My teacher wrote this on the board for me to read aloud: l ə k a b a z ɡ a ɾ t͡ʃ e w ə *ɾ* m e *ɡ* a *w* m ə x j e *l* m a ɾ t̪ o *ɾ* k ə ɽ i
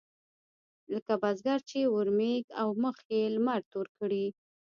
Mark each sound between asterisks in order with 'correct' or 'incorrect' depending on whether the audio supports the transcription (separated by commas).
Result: correct, correct, correct, correct, correct